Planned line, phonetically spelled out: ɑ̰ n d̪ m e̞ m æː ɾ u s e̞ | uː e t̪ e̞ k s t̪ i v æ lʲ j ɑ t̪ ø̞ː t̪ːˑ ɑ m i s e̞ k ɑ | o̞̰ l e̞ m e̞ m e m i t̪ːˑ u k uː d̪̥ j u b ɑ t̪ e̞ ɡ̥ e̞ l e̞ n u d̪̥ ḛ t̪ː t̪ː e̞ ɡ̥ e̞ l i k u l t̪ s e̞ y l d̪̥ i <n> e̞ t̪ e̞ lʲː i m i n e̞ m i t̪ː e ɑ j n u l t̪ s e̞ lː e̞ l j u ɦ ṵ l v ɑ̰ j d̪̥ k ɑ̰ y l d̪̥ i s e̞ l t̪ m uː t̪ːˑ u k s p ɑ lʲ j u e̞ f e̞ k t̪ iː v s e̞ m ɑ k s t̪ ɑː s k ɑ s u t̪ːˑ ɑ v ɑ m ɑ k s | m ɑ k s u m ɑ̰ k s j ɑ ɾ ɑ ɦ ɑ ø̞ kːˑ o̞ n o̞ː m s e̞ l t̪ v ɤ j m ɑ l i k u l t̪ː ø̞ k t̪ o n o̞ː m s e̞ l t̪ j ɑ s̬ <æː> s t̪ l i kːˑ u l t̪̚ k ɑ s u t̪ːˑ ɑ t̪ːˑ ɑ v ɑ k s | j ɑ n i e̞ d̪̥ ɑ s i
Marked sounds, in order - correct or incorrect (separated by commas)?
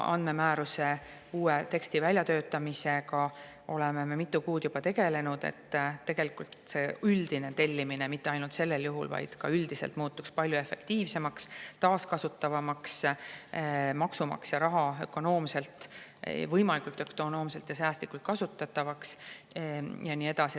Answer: correct, correct